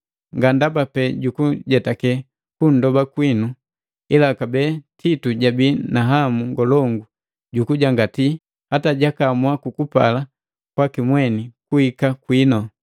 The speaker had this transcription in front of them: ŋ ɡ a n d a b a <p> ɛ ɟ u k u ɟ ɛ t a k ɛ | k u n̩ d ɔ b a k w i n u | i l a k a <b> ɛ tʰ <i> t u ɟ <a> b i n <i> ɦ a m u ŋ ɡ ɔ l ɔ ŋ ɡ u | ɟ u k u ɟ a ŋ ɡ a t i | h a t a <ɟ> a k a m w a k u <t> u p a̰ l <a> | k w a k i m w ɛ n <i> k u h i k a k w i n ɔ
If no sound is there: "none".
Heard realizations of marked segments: p, b, i, a, a, ɟ, k, a, i

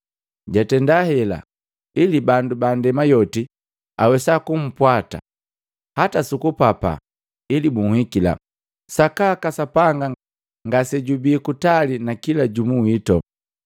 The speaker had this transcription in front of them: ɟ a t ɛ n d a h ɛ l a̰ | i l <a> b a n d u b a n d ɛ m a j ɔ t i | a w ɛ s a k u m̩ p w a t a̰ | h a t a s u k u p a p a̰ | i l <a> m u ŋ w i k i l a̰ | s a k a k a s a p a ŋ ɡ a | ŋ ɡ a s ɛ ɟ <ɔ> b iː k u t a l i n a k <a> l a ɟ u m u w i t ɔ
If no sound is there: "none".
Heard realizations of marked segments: i, i, u, i

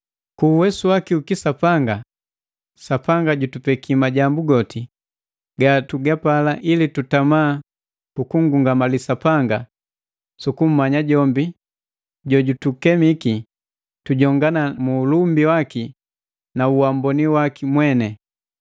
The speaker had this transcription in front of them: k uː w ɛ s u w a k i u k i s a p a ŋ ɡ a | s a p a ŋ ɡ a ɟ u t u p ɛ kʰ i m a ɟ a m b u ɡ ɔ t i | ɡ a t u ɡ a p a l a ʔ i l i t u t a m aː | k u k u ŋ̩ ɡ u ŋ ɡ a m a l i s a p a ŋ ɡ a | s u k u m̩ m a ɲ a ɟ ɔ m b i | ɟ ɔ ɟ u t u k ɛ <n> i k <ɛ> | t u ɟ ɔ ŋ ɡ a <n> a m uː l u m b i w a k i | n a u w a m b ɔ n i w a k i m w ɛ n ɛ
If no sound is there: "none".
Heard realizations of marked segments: m, i, n

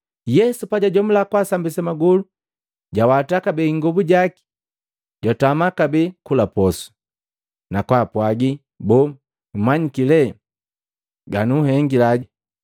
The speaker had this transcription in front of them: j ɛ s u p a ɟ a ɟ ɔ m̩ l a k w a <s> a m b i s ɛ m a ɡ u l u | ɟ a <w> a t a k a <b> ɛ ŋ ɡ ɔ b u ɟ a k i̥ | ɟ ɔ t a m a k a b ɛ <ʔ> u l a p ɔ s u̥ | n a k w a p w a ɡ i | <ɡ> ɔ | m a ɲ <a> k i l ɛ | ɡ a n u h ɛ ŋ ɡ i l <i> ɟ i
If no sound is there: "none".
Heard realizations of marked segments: s, w, b, k, b, i, a

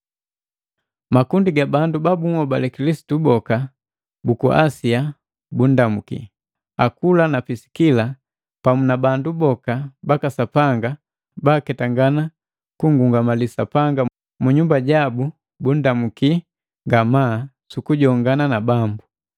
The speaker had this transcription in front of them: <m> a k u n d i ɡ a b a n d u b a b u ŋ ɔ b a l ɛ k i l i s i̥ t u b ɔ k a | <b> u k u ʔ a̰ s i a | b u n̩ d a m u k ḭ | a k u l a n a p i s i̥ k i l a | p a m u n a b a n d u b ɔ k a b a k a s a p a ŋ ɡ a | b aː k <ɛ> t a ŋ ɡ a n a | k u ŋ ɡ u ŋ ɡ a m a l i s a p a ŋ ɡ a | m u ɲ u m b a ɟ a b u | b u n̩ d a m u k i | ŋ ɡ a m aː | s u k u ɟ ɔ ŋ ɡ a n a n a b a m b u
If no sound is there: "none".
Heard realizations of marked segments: m, b, ɛ

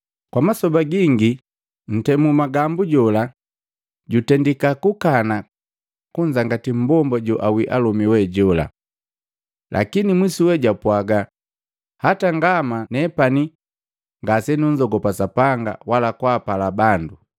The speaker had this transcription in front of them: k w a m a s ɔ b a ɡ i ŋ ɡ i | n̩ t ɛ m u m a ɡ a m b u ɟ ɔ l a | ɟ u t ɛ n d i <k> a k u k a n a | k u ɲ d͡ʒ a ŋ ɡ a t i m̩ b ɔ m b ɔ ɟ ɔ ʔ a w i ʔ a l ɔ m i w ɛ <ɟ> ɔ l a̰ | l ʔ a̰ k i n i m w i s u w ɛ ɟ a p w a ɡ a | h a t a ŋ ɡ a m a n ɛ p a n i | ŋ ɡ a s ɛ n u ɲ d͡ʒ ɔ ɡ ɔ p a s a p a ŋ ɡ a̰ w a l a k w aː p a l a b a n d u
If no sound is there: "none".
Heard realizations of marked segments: k, ɟ

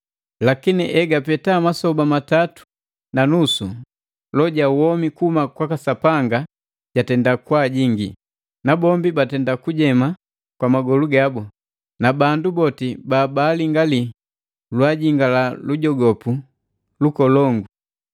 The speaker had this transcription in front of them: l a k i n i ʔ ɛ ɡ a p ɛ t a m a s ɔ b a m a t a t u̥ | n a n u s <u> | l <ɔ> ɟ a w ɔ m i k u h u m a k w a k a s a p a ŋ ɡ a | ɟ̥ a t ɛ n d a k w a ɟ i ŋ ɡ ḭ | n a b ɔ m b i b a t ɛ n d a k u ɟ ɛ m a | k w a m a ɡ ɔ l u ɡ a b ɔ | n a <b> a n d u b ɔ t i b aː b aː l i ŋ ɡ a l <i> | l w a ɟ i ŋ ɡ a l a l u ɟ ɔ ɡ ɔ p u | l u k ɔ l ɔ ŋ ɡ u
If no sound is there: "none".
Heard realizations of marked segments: u, ɔ, b, i

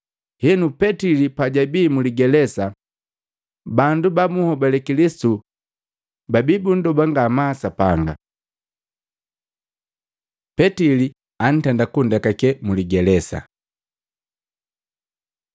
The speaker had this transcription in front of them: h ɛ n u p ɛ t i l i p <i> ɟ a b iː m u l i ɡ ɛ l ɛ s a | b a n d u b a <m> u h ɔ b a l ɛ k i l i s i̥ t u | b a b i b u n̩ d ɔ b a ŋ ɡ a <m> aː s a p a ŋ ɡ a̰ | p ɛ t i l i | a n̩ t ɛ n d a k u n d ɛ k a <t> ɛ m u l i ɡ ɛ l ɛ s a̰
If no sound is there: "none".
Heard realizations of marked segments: a, m, m, k

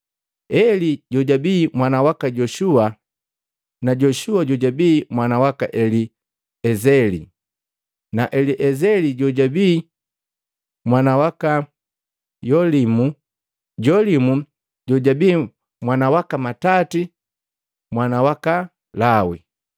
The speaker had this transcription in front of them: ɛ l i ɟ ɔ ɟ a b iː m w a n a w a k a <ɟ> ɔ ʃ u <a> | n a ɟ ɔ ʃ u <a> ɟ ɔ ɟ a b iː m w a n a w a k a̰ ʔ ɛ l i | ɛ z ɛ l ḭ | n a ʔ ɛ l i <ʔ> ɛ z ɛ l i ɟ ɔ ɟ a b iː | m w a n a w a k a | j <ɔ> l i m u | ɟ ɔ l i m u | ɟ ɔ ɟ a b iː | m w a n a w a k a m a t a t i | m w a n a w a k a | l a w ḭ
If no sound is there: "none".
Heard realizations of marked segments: ɟ, a, a, ʔ, ɔ

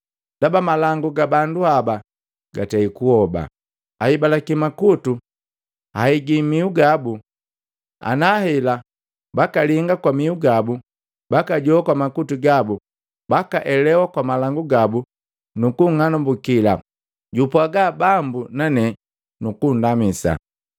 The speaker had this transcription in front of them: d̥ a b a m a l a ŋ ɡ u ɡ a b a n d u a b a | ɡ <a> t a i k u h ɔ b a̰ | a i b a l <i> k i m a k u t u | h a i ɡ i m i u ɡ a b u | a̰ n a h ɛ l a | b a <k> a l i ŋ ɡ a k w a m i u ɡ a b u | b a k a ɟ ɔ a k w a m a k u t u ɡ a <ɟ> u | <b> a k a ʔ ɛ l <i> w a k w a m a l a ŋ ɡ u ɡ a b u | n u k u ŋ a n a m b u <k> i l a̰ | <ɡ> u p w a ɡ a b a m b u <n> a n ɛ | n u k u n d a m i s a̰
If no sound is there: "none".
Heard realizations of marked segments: a, a, k, b, b, ɛ, k, ɟ, n

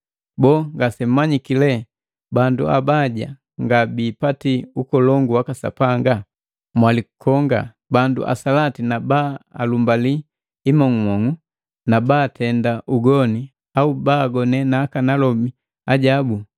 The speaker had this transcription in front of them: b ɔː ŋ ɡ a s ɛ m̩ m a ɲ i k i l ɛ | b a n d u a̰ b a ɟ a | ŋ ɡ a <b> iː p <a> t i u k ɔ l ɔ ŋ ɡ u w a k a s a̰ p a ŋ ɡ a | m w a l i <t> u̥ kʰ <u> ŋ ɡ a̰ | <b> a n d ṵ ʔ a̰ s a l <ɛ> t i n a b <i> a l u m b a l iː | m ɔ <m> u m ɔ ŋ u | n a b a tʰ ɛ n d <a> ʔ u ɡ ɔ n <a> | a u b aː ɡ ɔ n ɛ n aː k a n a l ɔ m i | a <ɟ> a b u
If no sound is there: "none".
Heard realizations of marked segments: b, a, k, ɔ, b, a, a, ŋ, a, i, ɟ

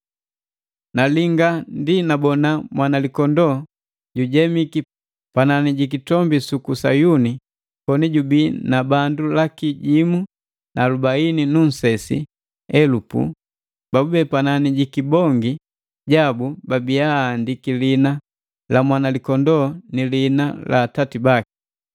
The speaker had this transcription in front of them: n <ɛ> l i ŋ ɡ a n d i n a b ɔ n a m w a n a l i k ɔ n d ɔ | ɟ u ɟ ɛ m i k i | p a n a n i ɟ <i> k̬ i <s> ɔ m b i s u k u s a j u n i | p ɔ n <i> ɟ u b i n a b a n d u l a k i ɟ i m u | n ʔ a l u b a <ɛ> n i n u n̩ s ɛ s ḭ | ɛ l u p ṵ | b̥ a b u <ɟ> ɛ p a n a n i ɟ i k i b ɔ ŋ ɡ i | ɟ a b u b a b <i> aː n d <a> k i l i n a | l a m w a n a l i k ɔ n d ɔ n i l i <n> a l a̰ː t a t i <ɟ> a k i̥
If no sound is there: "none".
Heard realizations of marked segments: a, i, t, i, i, b, i, i, n, b

